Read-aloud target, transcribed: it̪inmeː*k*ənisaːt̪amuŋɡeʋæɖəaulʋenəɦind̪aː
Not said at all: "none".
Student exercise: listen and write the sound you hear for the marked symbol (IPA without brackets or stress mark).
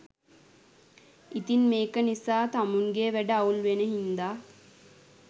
k